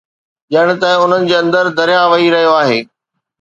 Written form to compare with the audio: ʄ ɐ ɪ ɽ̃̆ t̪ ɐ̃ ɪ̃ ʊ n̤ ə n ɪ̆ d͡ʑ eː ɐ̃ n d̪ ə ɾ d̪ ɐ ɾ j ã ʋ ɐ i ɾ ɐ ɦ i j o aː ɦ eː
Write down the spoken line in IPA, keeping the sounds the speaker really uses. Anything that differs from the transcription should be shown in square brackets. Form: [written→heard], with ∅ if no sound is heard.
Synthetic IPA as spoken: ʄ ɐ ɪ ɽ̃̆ t̪ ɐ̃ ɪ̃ ʊ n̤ ə n ɪ̆ d͡ʑ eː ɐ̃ n d̪ ə ɾ d̪ ɐ ɾ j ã ʋ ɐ i ɾ ɐ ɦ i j o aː ɦ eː